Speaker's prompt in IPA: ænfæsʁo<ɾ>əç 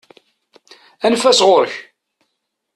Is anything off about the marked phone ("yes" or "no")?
no